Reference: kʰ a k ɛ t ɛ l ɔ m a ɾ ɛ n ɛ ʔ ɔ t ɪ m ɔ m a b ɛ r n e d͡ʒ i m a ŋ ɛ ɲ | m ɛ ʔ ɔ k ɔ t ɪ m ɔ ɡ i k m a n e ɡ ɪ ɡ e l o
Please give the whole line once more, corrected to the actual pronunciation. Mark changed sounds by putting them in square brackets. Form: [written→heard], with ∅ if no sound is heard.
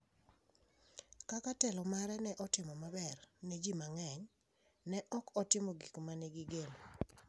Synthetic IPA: [kʰ→k] a k [ɛ→a] t ɛ l ɔ m a ɾ ɛ n ɛ ʔ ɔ t ɪ m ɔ m a b ɛ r n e d͡ʒ i m a ŋ ɛ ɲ | [m→n] ɛ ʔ ɔ k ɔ t ɪ m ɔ ɡ i k m a n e ɡ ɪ ɡ e l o